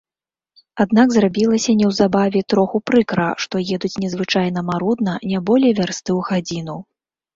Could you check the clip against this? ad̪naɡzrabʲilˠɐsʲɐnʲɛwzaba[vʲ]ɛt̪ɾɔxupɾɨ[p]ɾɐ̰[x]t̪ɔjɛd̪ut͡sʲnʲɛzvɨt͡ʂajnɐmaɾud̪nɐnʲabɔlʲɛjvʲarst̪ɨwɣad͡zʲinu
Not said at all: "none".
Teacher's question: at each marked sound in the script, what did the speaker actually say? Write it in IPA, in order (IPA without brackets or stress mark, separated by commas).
vʲ, k, ʂ